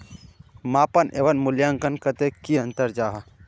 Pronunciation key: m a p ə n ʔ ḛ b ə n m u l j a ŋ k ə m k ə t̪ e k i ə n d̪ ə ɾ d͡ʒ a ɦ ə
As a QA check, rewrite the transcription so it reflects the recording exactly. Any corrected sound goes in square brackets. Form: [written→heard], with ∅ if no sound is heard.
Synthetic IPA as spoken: m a p ə n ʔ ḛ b ə n m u l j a ŋ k ə [m→n] k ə t̪ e k i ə n [d̪→t̪] ə ɾ d͡ʒ a ɦ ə

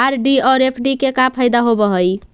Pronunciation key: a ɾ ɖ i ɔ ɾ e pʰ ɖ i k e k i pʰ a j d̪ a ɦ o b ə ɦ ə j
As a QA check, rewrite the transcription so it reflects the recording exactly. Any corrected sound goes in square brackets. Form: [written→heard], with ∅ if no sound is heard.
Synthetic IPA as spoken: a ɾ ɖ i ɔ ɾ e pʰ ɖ i k e k [i→a] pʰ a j d̪ a ɦ o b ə ɦ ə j

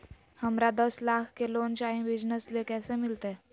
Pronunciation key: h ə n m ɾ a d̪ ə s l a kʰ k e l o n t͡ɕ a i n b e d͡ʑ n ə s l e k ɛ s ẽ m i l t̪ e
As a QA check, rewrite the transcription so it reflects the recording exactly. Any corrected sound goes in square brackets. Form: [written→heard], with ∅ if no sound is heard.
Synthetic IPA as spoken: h ə [n→∅] m ɾ a d̪ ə s l a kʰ k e l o n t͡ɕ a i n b [e→i] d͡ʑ n ə s l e k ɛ s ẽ m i l t̪ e

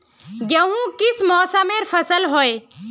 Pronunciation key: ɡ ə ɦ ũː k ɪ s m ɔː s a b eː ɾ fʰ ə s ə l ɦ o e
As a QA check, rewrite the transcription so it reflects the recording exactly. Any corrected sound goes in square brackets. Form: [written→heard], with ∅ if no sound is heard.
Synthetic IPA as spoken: ɡ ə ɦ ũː k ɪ s m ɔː s a [b→m] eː ɾ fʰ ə s ə l ɦ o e

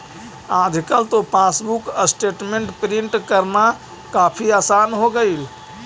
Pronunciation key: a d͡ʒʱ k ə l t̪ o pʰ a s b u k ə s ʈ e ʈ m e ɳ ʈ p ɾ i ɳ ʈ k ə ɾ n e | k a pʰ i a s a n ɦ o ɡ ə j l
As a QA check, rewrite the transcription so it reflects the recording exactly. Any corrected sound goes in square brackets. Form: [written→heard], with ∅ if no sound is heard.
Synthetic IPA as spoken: a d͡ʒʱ k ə l t̪ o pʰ a s b u k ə s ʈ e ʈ m e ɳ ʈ p ɾ i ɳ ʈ k ə ɾ n [e→a] | k a pʰ i a s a n ɦ o ɡ ə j l

